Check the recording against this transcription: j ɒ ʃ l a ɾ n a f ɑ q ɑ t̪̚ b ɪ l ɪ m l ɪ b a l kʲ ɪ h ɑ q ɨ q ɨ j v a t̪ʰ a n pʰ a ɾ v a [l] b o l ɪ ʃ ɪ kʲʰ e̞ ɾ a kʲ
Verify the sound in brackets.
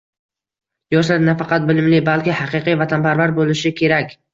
incorrect: ɾ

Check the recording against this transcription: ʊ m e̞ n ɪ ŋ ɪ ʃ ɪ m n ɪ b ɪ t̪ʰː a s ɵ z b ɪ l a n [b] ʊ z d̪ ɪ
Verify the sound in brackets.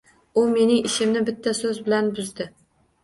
correct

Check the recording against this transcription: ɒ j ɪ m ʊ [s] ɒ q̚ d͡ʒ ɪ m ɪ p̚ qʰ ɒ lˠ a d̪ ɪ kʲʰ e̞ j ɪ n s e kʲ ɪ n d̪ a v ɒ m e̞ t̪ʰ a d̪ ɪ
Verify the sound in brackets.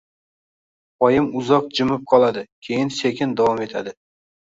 incorrect: z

